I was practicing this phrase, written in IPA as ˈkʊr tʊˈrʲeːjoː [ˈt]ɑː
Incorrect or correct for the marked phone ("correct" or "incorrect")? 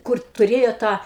correct